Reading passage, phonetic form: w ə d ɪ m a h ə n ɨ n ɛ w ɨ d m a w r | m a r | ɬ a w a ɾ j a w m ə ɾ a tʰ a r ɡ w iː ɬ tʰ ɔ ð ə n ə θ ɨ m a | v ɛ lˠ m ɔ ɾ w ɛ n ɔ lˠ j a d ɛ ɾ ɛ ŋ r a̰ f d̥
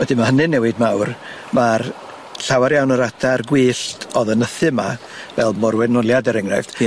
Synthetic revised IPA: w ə d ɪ m a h ə n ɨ n ɛ w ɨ d m a w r | m a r | ɬ a w a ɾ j a w n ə ɾ a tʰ a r ɡ w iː ɬ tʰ ɔ ð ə n ə θ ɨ m a | v ɛ lˠ m ɔ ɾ w ɛ n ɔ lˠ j a d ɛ ɾ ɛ ŋ r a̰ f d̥